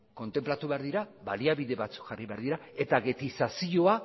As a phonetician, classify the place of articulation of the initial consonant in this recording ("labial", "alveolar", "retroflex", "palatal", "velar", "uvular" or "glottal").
velar